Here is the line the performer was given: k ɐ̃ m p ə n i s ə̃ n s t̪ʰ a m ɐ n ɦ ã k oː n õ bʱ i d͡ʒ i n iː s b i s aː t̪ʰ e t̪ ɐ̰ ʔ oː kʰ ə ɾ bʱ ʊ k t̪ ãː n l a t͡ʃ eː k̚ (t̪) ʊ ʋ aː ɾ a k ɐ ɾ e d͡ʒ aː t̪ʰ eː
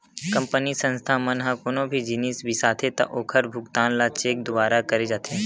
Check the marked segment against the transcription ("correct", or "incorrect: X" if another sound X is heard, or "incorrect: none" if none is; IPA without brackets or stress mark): incorrect: d̪